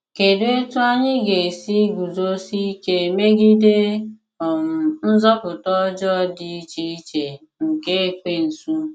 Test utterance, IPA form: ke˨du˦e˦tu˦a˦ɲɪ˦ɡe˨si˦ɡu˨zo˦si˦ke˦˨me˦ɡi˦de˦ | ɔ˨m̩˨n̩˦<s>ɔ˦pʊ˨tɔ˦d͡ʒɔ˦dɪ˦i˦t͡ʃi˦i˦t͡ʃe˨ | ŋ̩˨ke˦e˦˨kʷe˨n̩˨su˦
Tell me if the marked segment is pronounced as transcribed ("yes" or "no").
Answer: no